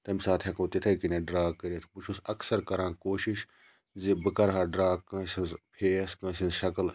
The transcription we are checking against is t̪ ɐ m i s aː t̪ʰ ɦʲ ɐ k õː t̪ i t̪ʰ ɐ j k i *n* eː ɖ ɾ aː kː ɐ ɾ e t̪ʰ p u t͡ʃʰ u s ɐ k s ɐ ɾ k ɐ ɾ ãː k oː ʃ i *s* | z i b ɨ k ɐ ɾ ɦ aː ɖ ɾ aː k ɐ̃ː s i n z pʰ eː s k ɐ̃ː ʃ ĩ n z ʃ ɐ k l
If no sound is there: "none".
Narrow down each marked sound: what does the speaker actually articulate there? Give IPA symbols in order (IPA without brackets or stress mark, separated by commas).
n, ʃ